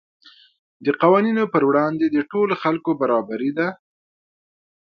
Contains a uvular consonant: yes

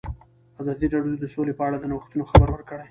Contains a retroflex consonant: yes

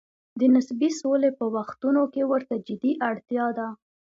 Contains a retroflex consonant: yes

